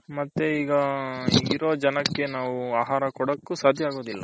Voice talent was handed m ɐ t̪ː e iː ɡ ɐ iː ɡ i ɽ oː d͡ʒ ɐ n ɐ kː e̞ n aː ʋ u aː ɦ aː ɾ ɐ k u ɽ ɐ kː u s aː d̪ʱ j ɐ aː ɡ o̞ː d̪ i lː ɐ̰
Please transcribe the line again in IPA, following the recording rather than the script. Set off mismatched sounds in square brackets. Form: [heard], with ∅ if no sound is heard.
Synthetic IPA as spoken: m ɐ t̪ː e iː ɡ ɐ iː ɡ i [ɾ] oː d͡ʒ ɐ n ɐ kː e̞ n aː ʋ u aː ɦ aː ɾ ɐ k [ɔ] ɽ ɐ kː u s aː d̪ʱ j ɐ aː ɡ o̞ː d̪ i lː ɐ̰